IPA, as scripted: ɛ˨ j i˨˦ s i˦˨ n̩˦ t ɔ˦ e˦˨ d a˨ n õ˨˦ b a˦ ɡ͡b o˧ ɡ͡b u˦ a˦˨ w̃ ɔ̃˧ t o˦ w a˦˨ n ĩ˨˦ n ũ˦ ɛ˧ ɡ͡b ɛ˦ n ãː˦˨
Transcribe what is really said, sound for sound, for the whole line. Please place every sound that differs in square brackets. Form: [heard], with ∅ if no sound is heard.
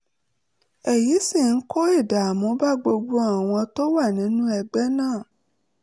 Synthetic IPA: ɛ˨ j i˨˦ s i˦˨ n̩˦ [k] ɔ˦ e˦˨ d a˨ [m] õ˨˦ b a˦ ɡ͡b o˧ ɡ͡b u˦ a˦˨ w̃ ɔ̃˧ t o˦ w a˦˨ n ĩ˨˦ n ũ˦ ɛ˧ ɡ͡b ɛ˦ n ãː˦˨